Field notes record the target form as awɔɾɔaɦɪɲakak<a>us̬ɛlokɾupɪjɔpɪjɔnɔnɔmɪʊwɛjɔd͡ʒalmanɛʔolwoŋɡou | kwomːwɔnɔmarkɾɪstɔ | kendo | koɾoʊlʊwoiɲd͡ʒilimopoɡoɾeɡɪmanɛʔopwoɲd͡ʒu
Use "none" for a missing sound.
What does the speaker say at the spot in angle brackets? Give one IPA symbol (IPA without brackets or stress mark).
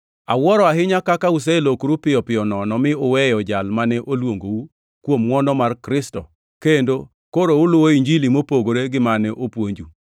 a